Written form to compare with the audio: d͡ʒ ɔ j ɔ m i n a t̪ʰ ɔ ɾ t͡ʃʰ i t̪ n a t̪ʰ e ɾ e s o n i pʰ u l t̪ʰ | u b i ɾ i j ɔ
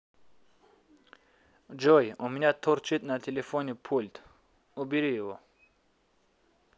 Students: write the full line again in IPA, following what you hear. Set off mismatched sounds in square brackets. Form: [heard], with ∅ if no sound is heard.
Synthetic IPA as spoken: d͡ʒ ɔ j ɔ m i n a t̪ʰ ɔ ɾ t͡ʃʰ i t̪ n a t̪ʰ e [l] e [f] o n i pʰ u l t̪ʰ | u b i ɾ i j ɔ